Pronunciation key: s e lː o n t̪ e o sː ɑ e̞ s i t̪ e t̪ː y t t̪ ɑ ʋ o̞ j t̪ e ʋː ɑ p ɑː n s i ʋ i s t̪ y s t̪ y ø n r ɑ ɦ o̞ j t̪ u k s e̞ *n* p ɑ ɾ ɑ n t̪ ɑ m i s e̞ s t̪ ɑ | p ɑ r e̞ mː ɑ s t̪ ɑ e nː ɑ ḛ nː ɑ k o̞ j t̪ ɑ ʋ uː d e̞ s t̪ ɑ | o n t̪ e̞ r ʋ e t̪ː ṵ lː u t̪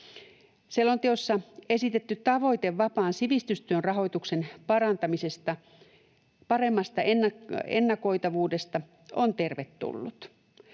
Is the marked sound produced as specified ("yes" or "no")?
yes